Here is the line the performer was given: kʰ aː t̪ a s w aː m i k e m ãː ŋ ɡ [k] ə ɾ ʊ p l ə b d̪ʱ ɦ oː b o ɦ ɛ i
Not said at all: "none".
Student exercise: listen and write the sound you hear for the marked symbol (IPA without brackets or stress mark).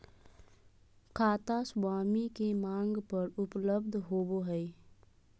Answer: p